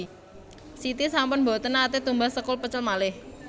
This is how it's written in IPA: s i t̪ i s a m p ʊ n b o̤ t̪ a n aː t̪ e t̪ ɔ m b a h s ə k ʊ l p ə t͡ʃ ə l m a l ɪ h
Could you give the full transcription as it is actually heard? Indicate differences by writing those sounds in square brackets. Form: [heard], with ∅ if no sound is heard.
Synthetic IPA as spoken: s i t̪ i s a m p ʊ n b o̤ t̪ [ə] n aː t̪ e t̪ [u] m b a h s ə k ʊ l p ə t͡ʃ ə l m a l ɪ h